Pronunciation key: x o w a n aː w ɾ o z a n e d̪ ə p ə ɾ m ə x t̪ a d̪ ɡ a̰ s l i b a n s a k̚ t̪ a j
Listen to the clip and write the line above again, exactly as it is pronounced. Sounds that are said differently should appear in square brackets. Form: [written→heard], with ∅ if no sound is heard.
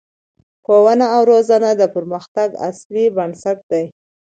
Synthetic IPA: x o w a n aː w ɾ o z a n [e→a] d̪ ə p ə ɾ m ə x t̪ a [d̪→∅] ɡ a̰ s l i b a n s a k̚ [t̪→d̪] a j